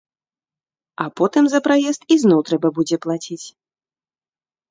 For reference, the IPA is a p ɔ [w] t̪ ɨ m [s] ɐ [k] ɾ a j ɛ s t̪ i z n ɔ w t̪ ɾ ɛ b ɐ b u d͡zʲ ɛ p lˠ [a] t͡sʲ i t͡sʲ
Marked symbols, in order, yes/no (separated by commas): no, no, no, yes